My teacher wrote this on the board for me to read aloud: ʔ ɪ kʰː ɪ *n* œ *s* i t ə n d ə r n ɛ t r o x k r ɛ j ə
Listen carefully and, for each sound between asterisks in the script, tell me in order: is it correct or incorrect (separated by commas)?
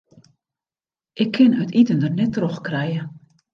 correct, incorrect